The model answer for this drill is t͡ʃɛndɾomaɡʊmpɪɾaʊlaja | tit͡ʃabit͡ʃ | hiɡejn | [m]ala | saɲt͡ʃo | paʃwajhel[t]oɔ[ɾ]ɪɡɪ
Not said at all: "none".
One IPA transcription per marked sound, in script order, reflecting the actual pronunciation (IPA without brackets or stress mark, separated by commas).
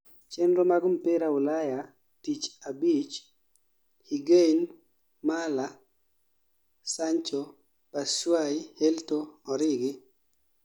m, t, ɾ